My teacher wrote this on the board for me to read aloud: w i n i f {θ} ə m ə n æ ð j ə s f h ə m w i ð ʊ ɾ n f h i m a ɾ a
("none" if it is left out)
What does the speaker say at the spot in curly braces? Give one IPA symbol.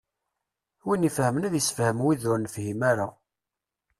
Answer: h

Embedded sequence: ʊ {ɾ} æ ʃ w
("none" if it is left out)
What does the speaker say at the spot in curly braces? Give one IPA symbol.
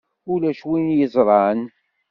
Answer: l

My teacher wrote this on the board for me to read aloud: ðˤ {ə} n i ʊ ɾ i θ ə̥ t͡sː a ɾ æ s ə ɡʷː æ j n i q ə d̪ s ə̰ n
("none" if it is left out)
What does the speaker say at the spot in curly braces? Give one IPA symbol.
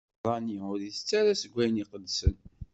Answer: ɑ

